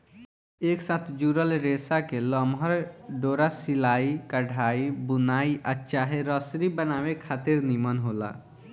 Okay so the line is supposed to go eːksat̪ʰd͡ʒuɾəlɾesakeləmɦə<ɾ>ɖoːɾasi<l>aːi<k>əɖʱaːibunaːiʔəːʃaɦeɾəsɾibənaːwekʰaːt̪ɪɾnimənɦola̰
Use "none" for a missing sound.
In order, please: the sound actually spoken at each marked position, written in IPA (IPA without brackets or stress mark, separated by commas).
ɾ, l, k